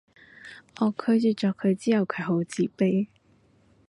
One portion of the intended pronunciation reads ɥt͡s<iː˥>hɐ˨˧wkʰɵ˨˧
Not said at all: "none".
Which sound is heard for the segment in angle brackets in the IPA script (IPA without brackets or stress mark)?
iː˥